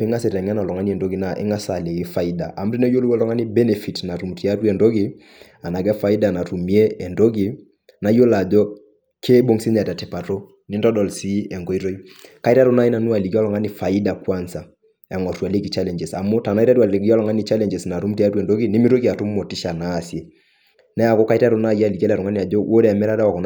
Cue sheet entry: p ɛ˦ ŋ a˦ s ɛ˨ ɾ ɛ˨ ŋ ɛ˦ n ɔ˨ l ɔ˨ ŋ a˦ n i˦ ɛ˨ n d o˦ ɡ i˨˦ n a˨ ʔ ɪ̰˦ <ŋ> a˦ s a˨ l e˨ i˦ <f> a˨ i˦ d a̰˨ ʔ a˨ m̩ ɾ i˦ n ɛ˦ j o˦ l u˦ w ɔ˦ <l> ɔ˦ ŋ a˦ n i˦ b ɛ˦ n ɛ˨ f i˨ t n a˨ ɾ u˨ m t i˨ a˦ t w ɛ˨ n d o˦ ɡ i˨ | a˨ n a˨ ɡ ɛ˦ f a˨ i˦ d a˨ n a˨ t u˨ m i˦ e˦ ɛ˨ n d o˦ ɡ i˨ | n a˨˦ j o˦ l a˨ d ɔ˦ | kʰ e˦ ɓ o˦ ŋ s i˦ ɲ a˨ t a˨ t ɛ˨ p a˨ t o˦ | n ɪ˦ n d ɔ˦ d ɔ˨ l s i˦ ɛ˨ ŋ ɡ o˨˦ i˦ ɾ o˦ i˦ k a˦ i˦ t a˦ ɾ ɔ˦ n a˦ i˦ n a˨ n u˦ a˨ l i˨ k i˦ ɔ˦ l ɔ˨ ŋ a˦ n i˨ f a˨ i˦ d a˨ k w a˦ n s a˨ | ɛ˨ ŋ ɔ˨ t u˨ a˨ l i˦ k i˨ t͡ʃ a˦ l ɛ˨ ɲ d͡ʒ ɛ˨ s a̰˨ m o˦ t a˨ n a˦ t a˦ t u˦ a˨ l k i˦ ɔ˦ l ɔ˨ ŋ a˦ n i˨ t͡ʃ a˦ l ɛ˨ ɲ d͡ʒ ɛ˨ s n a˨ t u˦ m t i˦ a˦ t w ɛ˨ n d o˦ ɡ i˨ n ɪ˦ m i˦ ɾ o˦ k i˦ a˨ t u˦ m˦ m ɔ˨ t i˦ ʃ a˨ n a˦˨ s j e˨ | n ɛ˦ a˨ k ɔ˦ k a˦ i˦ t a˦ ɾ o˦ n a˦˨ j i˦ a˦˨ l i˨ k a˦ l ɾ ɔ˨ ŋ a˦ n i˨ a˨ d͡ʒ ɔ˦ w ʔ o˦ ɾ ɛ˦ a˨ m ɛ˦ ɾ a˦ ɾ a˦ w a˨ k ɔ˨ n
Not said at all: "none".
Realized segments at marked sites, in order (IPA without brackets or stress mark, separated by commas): ŋ, f, l